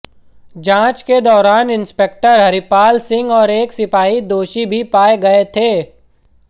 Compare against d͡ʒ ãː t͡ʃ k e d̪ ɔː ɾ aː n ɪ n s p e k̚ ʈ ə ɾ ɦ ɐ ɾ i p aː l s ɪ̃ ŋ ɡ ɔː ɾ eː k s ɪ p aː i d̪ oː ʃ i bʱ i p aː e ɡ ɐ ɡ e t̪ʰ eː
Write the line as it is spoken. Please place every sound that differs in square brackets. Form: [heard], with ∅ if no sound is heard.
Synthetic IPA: d͡ʒ ãː t͡ʃ k e d̪ ɔː ɾ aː n ɪ n s p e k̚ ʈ ə ɾ ɦ ɐ ɾ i p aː l s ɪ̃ ŋ ɡ ɔː ɾ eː k s ɪ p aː i d̪ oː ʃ i bʱ i p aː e ɡ ɐ [∅] e t̪ʰ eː